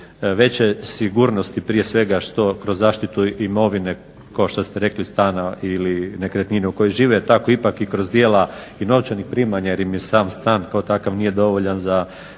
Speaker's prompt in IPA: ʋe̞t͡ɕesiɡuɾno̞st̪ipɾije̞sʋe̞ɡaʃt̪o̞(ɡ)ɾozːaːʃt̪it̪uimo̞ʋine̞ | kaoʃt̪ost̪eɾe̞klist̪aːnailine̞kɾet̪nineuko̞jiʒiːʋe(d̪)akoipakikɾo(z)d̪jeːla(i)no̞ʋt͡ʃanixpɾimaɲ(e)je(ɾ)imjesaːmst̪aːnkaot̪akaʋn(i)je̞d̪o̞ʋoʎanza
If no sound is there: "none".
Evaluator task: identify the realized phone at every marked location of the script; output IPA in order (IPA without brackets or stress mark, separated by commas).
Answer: k, t̪, z, i, a, ɾ, i